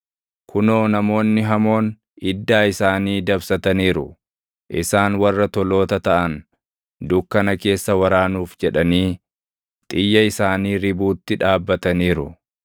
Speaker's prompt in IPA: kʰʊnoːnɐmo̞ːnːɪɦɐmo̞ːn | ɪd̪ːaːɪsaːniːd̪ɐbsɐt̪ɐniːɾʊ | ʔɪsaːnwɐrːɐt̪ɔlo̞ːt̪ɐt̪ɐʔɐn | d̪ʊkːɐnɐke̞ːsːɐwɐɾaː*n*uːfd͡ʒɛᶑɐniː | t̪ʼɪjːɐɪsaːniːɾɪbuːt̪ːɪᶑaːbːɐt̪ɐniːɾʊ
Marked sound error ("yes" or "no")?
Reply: no